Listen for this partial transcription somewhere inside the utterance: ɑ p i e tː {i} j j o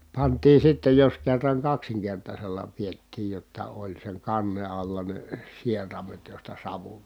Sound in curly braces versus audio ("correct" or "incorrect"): incorrect